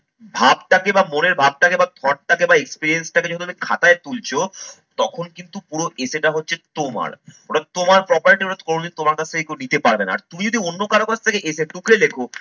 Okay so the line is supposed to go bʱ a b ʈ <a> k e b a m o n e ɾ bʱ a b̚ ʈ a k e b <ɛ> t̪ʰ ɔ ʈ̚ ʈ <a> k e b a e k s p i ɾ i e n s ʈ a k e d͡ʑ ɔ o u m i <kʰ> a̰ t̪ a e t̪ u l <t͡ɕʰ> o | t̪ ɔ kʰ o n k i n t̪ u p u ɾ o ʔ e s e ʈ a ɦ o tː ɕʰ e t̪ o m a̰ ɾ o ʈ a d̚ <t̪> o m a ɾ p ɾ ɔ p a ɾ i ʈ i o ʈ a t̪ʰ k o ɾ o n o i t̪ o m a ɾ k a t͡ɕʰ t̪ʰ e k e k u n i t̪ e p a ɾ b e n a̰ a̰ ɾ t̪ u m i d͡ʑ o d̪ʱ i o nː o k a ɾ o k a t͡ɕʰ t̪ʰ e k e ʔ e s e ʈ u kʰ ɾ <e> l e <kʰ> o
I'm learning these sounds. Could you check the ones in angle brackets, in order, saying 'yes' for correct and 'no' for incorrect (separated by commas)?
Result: yes, no, yes, yes, yes, yes, yes, yes